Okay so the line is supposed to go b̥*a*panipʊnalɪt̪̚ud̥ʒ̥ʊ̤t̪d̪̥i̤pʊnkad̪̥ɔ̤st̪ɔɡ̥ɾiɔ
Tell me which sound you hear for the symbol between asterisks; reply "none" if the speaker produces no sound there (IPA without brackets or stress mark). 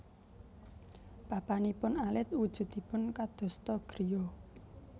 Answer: a